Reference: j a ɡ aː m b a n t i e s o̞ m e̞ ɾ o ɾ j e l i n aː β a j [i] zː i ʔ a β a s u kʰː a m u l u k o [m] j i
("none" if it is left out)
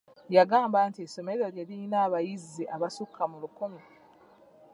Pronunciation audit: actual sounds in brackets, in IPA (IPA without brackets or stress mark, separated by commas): i, m